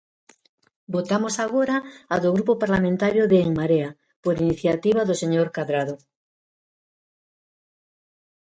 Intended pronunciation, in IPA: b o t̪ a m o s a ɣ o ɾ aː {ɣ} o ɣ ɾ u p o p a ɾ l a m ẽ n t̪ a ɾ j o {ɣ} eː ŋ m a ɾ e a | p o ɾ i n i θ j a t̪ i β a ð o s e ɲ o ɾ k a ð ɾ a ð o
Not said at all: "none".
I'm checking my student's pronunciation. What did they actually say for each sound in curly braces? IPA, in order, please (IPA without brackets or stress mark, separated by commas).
ð, ð